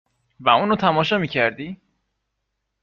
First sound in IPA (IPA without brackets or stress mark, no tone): v